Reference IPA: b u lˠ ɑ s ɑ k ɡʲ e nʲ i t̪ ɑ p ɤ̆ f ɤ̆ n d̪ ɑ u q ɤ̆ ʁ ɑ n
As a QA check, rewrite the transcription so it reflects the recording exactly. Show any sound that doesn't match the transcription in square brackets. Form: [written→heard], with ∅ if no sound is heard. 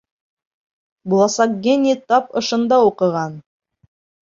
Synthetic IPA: b u lˠ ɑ s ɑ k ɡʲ e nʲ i t̪ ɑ p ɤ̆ [f→ʃ] ɤ̆ n d̪ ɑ u q ɤ̆ ʁ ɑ n